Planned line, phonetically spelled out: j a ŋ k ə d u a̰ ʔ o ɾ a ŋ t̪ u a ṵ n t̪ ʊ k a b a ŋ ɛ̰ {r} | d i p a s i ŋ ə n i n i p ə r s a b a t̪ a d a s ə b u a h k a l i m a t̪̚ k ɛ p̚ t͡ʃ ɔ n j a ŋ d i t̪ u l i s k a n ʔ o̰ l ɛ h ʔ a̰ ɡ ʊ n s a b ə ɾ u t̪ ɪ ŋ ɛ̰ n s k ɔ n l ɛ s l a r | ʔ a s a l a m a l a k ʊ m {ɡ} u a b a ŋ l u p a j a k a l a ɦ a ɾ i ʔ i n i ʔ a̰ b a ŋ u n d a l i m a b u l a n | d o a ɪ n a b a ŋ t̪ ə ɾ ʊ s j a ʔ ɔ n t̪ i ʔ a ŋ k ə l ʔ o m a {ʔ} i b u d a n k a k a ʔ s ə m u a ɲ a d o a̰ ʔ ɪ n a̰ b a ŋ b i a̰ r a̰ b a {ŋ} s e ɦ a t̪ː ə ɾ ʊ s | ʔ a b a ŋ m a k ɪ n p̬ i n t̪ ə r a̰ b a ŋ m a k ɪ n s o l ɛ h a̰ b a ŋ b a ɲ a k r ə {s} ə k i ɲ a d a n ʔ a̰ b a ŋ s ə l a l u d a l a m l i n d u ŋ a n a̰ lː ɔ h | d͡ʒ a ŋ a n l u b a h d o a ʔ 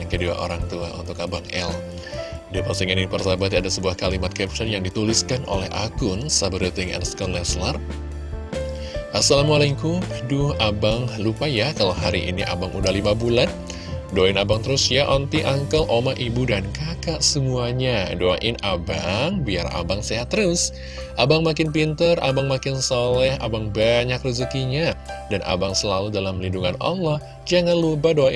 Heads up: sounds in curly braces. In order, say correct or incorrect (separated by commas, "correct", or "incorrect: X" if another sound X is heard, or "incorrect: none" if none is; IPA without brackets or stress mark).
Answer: incorrect: l, incorrect: d, correct, correct, incorrect: z